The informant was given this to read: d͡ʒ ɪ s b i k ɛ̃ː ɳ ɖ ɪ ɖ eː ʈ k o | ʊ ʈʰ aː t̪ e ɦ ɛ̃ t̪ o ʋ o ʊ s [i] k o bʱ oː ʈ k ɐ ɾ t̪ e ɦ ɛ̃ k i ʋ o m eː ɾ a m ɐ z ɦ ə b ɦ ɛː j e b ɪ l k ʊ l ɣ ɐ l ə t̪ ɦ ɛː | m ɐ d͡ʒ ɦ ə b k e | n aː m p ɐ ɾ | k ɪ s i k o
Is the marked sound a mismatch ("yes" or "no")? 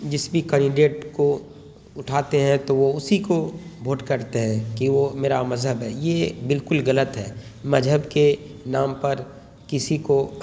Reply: no